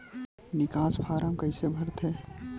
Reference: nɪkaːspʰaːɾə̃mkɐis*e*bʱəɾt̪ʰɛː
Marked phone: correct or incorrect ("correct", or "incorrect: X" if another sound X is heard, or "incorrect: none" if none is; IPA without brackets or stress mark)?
correct